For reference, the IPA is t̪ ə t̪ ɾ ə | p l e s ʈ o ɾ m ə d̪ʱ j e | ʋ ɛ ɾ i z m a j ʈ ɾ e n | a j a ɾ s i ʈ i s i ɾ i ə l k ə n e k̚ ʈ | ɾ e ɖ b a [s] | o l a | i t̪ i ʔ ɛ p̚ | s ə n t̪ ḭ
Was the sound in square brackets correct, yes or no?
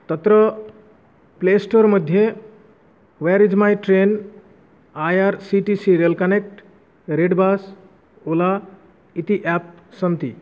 yes